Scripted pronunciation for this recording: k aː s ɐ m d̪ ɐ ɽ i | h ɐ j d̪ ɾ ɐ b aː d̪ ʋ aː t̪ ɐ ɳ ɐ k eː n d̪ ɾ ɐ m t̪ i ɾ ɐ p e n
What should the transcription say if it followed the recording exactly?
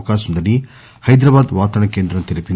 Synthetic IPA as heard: k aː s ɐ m d̪ ɐ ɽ i | h ɐ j d̪ ɾ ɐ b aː d̪ ʋ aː t̪ ɐ ɳ ɐ k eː n d̪ ɾ ɐ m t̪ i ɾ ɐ p i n